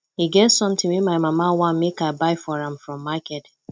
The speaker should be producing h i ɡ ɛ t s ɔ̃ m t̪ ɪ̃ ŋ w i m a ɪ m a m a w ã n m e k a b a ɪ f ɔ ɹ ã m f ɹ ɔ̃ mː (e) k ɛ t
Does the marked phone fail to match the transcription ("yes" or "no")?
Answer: yes